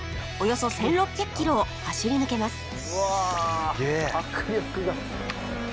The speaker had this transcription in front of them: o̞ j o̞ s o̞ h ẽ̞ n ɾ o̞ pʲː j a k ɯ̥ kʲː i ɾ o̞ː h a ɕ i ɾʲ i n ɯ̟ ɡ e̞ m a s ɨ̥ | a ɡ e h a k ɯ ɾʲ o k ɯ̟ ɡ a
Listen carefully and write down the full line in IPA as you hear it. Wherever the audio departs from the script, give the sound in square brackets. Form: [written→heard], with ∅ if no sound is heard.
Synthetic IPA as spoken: o̞ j o̞ s o̞ [h→s] ẽ̞ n ɾ o̞ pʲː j a k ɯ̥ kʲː i ɾ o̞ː h a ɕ i ɾʲ i n ɯ̟ [ɡ→k] e̞ m a s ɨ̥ | a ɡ e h a k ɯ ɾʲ o k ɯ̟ ɡ a